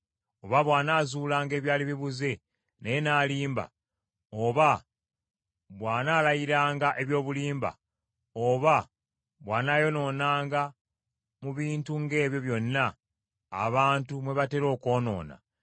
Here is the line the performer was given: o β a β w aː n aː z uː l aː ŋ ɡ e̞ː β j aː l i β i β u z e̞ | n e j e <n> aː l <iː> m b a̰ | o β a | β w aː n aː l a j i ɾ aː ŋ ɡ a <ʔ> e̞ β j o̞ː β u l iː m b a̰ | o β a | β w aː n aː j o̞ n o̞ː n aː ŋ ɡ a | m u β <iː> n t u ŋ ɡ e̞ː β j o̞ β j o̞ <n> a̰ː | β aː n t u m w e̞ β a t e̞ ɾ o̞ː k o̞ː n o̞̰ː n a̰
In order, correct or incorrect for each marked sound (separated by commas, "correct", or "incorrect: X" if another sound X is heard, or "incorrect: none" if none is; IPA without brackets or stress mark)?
correct, correct, correct, correct, incorrect: nː